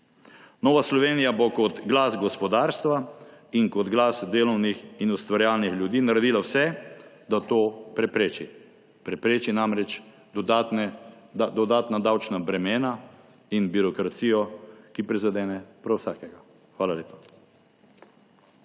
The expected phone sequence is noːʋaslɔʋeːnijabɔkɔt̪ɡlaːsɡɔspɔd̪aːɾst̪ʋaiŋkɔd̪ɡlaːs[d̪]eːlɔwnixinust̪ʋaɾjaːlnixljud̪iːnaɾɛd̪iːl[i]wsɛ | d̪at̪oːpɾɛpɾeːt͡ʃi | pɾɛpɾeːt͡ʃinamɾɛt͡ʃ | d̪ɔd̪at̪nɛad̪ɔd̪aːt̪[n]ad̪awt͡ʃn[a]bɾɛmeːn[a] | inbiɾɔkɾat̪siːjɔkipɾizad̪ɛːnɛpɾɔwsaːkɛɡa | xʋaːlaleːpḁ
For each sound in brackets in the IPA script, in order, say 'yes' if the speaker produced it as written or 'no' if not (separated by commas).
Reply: yes, no, yes, yes, yes